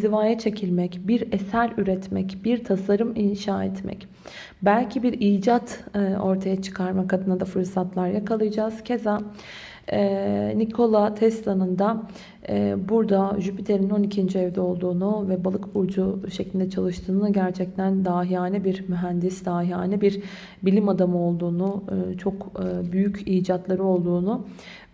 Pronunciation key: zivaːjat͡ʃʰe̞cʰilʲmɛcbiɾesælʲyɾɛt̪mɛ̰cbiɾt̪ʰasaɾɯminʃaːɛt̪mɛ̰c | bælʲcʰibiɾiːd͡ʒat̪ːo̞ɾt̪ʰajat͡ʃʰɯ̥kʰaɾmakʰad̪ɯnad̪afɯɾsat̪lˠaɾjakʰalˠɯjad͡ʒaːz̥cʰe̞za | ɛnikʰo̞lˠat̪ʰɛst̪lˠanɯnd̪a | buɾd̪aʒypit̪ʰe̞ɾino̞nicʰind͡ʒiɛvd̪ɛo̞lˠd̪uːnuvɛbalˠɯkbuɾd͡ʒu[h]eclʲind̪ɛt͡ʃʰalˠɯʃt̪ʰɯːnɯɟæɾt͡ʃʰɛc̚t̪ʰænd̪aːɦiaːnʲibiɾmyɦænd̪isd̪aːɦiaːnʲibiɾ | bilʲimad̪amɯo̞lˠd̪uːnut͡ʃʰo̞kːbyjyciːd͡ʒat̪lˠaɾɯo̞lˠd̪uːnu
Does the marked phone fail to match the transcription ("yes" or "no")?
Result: yes